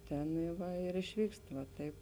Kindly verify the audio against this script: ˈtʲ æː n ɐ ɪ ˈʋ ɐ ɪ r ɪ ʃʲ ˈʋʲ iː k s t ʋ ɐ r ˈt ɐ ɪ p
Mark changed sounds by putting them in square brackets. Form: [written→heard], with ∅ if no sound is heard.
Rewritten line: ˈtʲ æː n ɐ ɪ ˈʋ ɐ ɪ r ɪ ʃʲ ˈʋʲ iː k s t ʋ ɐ [r→∅] ˈt ɐ ɪ p